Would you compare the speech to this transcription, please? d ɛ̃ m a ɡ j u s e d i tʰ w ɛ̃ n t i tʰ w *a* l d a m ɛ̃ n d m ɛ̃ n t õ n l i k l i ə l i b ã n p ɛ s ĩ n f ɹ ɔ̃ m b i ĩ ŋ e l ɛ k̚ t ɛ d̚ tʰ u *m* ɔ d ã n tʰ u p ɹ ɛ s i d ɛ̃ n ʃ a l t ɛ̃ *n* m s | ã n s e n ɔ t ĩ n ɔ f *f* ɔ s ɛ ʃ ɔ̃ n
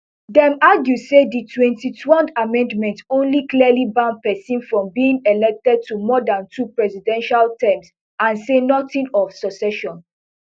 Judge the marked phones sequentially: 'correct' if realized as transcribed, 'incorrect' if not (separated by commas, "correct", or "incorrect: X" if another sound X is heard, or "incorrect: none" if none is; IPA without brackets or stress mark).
incorrect: ɛ, correct, incorrect: none, incorrect: s